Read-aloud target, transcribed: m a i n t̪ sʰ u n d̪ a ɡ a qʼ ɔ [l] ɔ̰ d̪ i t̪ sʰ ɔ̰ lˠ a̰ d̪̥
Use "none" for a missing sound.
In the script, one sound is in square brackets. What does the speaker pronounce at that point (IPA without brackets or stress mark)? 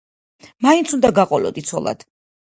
l